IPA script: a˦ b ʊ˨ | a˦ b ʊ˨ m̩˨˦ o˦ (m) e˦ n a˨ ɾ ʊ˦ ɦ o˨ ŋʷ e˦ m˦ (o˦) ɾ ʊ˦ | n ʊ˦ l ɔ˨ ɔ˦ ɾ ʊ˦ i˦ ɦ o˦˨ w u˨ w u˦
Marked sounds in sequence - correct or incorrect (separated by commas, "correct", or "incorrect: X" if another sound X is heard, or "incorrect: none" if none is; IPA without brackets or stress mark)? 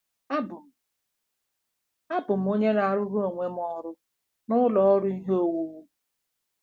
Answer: incorrect: ɲ, incorrect: ɔ˦